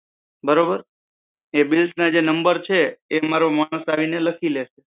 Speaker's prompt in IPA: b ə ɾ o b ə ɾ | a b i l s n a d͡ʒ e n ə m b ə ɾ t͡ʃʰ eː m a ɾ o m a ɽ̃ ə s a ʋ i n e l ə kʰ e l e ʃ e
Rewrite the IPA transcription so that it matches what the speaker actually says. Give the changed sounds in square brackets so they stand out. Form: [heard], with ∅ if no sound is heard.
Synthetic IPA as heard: b ə ɾ o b ə ɾ | [e] b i l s n a d͡ʒ e n ə m b ə ɾ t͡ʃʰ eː m a ɾ o m a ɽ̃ ə s a ʋ i n e l ə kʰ [i] l e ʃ e